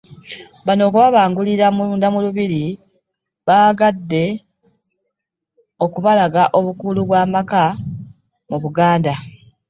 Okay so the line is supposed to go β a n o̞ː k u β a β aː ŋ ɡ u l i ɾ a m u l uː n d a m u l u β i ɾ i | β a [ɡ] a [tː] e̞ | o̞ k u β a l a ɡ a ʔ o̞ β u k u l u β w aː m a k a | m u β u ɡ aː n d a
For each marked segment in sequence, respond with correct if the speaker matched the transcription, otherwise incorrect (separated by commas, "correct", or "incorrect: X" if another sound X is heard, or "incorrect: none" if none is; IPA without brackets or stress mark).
correct, incorrect: dː